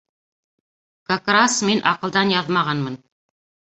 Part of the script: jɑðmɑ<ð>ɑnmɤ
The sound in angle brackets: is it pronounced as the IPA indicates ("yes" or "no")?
no